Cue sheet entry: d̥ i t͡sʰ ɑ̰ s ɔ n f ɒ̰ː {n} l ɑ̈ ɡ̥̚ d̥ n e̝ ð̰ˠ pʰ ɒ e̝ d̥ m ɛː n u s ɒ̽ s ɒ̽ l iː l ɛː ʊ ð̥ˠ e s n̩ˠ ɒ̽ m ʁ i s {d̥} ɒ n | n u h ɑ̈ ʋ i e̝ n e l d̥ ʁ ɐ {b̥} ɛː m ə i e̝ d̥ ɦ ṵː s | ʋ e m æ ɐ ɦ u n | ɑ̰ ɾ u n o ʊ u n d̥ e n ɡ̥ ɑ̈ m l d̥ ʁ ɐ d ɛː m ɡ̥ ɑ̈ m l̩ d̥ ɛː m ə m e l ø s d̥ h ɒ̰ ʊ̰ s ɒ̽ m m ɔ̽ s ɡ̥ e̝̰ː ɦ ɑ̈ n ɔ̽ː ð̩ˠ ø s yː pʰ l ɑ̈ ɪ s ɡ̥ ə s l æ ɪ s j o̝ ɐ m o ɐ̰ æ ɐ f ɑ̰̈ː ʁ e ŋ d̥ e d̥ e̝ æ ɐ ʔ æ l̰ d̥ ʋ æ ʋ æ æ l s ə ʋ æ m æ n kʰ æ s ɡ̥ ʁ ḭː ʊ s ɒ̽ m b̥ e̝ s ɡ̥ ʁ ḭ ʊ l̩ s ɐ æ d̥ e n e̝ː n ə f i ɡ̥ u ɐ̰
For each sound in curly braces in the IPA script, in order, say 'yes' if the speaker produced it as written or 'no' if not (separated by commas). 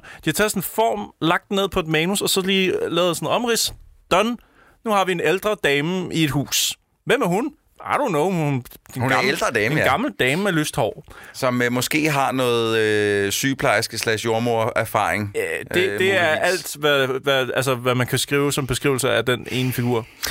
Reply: no, yes, no